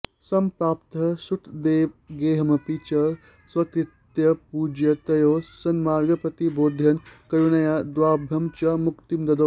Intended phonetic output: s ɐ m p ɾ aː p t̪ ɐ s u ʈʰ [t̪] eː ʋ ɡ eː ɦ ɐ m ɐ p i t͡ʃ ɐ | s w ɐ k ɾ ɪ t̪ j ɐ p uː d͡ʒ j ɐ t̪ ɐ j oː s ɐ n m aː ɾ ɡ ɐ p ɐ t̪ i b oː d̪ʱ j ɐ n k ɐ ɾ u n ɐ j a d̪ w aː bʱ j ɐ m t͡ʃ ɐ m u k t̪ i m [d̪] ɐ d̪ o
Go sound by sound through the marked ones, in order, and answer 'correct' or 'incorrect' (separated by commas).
incorrect, correct